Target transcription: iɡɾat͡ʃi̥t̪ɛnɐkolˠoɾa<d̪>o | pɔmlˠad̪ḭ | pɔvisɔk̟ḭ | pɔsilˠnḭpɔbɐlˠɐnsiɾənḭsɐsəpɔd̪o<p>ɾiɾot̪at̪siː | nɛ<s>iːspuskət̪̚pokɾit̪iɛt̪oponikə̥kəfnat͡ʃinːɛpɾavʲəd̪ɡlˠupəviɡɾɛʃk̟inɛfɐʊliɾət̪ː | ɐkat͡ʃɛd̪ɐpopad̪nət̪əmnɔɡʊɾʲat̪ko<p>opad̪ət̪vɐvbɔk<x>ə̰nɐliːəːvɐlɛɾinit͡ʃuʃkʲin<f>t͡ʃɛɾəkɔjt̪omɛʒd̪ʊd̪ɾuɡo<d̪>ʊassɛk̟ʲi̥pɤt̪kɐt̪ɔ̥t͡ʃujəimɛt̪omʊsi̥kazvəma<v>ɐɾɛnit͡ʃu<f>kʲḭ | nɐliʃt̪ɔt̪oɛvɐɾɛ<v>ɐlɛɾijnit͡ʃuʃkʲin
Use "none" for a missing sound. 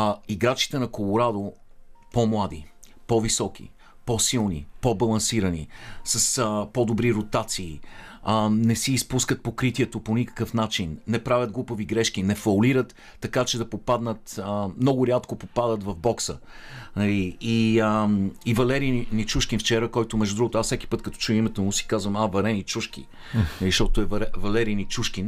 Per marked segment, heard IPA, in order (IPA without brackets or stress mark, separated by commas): d̪, b, s, p, s, f, t̪, v, ʃ, v